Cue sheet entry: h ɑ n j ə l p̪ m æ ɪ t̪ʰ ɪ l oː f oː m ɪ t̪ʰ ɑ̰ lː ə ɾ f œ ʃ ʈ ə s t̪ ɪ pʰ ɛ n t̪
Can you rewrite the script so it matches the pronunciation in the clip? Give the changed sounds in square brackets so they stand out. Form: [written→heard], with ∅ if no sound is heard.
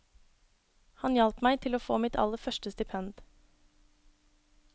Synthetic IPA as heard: h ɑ n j [ə→ɑ] l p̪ m æ ɪ t̪ʰ ɪ l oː f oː m ɪ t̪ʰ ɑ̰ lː ə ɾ f œ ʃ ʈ ə s t̪ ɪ pʰ ɛ n [t̪→d̪]